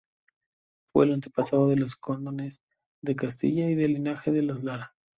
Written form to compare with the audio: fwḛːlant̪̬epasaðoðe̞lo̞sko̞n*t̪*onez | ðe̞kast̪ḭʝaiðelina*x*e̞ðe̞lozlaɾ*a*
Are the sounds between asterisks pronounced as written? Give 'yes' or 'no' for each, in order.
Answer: no, yes, yes

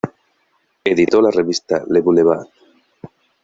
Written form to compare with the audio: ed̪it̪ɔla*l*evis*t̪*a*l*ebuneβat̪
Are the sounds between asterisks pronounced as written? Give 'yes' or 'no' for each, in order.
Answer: no, yes, yes

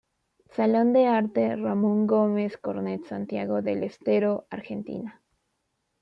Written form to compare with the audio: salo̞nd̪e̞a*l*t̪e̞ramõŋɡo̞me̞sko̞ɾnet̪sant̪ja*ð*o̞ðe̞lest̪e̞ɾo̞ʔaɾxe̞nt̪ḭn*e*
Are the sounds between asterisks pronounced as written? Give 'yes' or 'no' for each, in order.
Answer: no, no, no

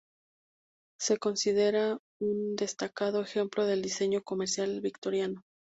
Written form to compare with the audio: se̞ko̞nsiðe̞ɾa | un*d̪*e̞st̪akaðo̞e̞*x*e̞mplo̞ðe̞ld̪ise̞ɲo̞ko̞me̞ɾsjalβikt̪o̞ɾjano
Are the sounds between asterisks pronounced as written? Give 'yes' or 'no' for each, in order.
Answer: yes, yes

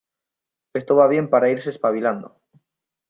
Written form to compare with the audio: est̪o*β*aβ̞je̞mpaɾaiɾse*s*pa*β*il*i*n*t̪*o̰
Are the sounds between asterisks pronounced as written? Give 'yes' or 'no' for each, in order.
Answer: yes, yes, yes, no, no

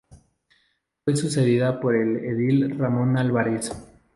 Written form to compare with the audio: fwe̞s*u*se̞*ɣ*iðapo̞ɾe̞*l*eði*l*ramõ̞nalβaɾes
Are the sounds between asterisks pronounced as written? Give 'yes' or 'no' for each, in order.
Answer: yes, no, yes, yes

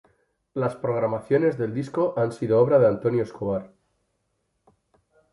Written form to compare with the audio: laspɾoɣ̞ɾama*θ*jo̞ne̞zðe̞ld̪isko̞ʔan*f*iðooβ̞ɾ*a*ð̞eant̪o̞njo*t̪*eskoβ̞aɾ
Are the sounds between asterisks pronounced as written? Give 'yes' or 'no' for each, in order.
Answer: yes, no, yes, no

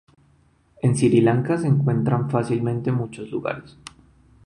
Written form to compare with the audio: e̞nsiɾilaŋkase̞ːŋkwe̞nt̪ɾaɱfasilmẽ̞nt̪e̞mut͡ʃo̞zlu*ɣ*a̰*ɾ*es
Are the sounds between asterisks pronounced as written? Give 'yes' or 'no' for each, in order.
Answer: yes, yes

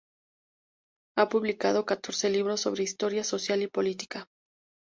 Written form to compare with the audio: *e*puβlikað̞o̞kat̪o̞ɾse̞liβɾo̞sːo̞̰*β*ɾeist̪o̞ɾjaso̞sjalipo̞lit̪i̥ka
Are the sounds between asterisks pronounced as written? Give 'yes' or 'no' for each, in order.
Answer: no, yes

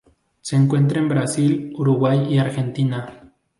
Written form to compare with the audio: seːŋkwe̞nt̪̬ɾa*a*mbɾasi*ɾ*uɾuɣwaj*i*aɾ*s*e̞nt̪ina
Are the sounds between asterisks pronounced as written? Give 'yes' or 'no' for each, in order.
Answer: no, no, yes, no

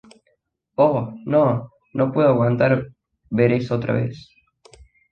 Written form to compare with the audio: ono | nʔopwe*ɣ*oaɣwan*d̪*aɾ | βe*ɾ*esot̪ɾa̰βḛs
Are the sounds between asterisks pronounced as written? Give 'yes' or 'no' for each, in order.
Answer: no, no, yes

